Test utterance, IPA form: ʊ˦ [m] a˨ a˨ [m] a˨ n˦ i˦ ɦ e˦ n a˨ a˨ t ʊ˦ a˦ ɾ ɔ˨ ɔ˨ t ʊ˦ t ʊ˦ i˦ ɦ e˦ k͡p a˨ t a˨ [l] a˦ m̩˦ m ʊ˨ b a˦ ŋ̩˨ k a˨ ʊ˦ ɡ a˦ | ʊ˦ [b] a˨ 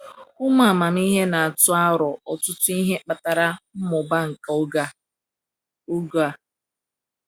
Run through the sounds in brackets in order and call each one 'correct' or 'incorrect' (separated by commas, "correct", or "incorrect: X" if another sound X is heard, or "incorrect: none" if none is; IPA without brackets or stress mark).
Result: correct, correct, incorrect: ɾ, incorrect: ɡ